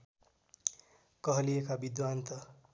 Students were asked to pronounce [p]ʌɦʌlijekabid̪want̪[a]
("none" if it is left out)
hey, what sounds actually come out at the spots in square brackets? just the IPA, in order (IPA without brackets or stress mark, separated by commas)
k, ʌ